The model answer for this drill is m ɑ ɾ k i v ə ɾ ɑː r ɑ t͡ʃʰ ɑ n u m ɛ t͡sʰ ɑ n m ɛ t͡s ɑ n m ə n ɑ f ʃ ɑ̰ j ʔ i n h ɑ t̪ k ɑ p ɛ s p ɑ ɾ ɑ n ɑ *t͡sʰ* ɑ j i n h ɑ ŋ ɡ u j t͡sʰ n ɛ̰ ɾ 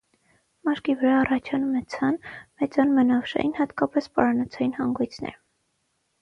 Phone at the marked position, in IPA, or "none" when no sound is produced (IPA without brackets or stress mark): t͡sʰ